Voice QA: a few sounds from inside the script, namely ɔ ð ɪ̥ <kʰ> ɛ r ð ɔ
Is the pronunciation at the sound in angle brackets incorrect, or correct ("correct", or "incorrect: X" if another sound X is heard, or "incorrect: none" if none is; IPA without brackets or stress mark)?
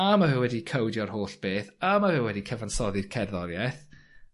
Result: correct